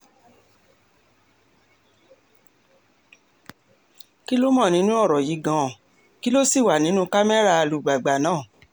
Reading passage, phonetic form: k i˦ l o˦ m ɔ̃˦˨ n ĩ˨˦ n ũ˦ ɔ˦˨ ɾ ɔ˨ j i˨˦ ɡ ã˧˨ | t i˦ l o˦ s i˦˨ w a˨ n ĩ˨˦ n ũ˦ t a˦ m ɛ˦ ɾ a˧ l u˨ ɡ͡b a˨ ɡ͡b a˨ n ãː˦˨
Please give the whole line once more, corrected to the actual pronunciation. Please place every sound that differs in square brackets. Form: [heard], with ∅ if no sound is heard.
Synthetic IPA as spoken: k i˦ l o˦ m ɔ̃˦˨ n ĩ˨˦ n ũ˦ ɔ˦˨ ɾ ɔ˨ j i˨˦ ɡ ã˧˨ | [k] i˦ l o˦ s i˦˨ w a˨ n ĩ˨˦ n ũ˦ [k] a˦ m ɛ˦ ɾ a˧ l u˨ ɡ͡b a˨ ɡ͡b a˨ n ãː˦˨